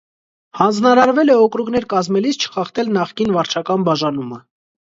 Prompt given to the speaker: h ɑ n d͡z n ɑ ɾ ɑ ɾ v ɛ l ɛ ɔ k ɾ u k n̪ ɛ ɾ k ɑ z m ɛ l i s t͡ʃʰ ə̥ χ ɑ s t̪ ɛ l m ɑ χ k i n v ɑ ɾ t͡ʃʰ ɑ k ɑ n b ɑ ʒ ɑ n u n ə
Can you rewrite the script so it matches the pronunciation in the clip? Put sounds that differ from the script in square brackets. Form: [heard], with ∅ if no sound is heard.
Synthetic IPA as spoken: h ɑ n d͡z n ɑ ɾ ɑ ɾ v ɛ l ɛ ɔ k ɾ u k n̪ ɛ ɾ k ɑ z m ɛ l i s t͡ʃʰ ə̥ χ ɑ [χ] t̪ ɛ l [n] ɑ χ k i n v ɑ ɾ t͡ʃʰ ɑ k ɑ n b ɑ ʒ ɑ n u [m] ə